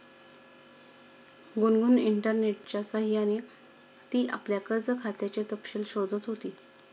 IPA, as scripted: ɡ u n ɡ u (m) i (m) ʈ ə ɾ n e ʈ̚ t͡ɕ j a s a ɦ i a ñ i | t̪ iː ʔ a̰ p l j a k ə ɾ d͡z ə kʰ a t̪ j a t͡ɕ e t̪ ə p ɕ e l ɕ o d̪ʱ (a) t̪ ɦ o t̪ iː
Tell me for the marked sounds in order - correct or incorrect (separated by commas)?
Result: incorrect, incorrect, incorrect